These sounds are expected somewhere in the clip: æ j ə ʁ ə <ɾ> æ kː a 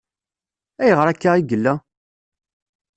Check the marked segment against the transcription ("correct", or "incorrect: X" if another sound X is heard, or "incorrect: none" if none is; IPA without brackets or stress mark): correct